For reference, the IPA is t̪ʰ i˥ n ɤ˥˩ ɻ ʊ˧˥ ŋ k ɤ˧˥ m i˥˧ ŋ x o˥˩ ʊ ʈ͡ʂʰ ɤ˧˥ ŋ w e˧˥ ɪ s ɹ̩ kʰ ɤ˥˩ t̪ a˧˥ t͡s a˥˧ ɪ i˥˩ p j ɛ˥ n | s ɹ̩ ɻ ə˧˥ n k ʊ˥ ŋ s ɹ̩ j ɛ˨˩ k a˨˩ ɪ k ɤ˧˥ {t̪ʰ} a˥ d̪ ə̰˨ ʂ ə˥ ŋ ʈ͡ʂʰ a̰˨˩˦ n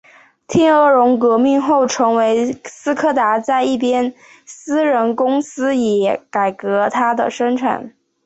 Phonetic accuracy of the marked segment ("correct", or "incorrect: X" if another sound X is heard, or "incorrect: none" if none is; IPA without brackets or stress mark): correct